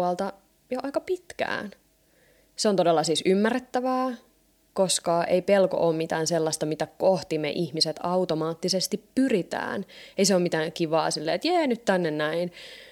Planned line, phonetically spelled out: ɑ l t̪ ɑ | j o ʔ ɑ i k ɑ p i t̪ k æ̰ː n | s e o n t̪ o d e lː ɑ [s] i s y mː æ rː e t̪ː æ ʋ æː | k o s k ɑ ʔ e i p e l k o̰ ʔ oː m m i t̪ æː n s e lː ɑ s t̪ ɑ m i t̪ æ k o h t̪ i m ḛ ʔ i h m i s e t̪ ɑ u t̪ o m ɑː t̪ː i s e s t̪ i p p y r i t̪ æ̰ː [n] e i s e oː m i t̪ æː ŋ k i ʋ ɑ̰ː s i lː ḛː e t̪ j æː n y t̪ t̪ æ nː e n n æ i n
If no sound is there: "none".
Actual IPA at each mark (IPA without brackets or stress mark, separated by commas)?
s, n